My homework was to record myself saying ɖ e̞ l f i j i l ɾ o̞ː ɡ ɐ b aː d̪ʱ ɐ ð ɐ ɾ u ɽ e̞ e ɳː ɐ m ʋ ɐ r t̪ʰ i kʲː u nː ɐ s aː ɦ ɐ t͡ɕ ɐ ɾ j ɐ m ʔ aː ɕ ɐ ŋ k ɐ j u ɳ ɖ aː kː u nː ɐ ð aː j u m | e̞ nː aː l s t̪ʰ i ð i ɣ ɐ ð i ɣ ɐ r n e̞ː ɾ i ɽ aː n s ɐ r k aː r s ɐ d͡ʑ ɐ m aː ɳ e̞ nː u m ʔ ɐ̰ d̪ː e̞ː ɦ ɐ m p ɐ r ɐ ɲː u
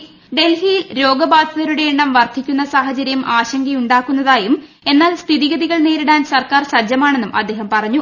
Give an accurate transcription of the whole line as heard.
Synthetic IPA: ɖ e̞ l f i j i l ɾ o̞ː ɡ ɐ b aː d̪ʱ ɐ ð ɐ ɾ u ɽ e̞ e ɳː ɐ m ʋ ɐ r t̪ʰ i kʲː u nː ɐ s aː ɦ ɐ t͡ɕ ɐ ɾ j ɐ m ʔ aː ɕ ɐ ŋ ɡ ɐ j u ɳ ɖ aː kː u nː ɐ ð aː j u m | e̞ nː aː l s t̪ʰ i ð i ɣ ɐ ð i ɣ ɐ ɭ n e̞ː ɾ i ɽ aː n s ɐ r k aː r s ɐ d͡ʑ ɐ m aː ɳ e̞ nː u m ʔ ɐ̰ d̪ː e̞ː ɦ ɐ m p ɐ r ɐ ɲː u